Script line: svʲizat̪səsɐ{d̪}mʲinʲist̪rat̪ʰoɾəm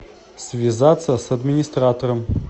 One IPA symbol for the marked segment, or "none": d̪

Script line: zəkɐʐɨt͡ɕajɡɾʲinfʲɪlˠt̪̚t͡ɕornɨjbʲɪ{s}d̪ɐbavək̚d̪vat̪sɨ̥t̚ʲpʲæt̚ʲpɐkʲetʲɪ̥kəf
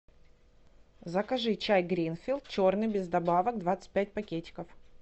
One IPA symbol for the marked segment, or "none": z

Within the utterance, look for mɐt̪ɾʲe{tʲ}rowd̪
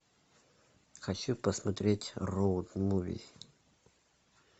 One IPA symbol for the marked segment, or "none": tʲ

